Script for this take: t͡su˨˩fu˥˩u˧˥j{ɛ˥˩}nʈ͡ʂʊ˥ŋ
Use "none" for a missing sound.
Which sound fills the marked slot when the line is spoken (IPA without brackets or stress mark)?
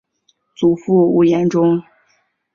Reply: ɛ˧˥